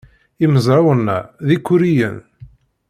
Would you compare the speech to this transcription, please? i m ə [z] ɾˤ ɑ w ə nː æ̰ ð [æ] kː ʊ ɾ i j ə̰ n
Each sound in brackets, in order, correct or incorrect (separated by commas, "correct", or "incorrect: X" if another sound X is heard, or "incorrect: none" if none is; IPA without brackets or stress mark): correct, incorrect: i